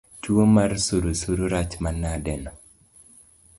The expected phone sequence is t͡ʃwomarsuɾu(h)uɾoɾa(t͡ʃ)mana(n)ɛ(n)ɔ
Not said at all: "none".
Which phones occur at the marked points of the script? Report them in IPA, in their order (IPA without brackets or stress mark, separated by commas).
s, t͡ʃ, d, n